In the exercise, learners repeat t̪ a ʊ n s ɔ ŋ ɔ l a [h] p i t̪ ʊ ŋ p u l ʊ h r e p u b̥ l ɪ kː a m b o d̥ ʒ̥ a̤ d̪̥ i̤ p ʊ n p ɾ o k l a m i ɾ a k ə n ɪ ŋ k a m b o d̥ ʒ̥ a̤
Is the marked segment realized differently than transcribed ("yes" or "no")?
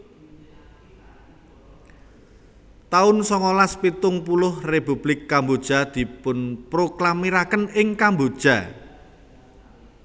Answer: yes